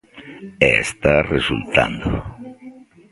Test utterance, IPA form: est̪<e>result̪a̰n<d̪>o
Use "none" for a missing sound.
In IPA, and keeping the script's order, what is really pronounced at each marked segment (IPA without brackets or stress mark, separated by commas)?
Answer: a, d̪